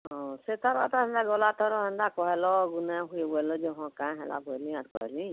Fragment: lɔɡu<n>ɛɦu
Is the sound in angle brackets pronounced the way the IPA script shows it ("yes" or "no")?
yes